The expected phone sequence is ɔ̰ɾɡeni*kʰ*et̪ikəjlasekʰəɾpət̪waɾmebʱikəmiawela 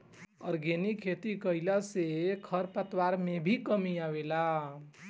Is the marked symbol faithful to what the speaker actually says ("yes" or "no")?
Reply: yes